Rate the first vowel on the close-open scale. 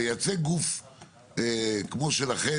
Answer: open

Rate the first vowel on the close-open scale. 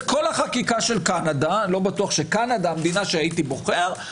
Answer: mid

